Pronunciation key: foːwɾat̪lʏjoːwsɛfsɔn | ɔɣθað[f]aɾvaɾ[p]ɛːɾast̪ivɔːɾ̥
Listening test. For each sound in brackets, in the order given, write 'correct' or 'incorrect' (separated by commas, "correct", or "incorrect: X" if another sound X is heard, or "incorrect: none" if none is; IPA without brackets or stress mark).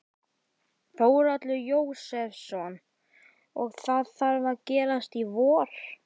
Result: incorrect: θ, incorrect: c